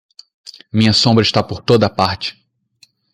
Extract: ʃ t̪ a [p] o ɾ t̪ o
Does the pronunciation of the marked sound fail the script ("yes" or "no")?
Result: no